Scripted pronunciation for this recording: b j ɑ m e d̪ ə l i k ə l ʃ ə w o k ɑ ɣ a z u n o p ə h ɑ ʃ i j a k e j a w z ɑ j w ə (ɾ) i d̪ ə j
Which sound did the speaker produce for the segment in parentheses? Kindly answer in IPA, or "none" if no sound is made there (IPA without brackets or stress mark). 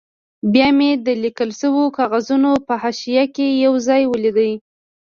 l